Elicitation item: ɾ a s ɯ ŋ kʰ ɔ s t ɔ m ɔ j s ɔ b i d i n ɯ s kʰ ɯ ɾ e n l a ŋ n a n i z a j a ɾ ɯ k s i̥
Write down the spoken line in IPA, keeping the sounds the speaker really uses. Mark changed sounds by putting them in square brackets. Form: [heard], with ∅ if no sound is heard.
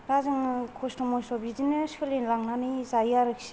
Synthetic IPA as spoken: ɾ a [z] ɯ ŋ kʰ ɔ s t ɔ m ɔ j s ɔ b i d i n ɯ s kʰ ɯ [l] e n l a ŋ n a n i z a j a ɾ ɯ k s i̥